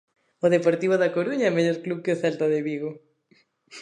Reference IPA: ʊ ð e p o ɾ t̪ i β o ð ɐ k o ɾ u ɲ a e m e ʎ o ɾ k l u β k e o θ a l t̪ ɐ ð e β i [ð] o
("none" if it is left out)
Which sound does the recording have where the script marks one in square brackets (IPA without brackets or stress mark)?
ɣ